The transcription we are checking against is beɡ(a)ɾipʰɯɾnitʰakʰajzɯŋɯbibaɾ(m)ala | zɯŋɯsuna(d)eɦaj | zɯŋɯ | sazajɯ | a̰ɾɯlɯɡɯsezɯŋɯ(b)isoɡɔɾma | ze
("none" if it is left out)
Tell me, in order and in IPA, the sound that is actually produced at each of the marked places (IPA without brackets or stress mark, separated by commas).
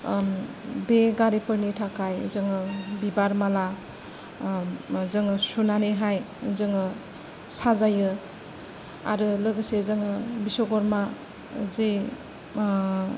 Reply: a, m, n, b